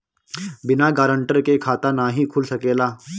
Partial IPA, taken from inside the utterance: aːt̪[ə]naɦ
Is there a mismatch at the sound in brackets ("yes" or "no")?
yes